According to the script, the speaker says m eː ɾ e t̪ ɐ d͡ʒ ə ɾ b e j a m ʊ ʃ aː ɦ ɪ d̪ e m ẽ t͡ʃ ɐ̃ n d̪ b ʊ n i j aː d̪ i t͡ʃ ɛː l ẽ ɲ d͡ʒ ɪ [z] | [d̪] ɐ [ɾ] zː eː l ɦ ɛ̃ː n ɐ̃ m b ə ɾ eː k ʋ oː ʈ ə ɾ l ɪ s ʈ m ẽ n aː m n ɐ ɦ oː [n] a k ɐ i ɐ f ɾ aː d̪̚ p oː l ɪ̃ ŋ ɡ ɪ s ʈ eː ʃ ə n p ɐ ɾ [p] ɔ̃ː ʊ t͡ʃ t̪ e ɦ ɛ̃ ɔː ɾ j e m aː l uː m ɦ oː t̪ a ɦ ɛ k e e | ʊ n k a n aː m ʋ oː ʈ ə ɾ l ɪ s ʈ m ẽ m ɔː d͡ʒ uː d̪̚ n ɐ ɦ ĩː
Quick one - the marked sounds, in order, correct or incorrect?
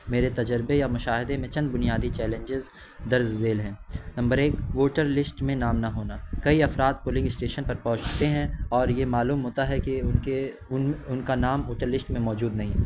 correct, correct, correct, correct, correct

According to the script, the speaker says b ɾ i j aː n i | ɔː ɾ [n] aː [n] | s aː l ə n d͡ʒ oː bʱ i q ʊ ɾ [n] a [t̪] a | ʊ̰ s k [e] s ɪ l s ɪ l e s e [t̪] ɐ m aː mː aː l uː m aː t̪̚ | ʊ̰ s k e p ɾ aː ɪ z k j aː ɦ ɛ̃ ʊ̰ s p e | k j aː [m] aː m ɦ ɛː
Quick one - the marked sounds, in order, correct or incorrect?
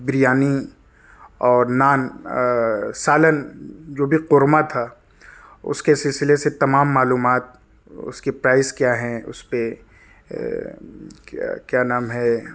correct, correct, incorrect: m, incorrect: t̪ʰ, correct, correct, incorrect: n

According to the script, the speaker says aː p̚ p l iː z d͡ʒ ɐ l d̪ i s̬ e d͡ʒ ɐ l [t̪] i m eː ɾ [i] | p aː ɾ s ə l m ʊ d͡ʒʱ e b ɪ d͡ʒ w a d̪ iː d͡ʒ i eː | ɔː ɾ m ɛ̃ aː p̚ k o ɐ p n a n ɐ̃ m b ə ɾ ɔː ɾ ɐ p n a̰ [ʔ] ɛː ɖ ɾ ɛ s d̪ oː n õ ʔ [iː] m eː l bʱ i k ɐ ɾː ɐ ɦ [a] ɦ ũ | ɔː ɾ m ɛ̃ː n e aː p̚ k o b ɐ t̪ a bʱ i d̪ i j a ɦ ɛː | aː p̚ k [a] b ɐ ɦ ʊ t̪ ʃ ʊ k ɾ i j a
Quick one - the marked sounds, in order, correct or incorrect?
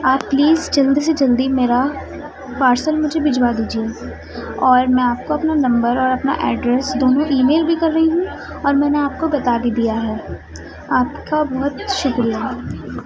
incorrect: d̪, incorrect: a, correct, correct, incorrect: i, correct

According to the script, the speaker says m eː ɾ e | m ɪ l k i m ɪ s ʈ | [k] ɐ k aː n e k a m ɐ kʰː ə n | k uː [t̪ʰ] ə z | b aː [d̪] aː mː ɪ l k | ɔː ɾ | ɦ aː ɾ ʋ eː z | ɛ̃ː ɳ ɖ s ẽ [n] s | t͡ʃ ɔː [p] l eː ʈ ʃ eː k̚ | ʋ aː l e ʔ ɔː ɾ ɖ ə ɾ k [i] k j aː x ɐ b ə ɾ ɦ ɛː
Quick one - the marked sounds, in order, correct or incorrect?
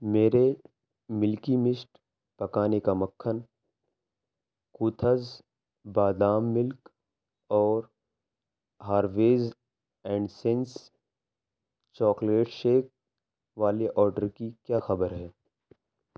incorrect: p, correct, correct, correct, incorrect: k, correct

